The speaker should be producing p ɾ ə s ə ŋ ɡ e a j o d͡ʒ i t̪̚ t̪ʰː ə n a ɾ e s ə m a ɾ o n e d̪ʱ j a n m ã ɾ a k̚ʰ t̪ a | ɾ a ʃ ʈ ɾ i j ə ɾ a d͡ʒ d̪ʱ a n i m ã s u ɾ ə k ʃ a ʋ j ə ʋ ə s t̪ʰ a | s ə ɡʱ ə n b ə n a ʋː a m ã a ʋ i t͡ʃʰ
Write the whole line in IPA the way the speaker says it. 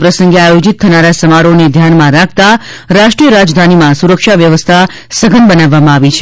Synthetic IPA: p ɾ ə s ə ŋ ɡ e a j o d͡ʒ i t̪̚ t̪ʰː ə n a ɾ a s ə m a ɾ o n e d̪ʱ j a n m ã ɾ a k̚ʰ t̪ a | ɾ a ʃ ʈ ɾ i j ə ɾ a d͡ʒ d̪ʱ a n i m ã s u ɾ ə k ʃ a ʋ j ə ʋ ə s t̪ʰ a | s ə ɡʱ ə n b ə n a ʋː a m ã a ʋ i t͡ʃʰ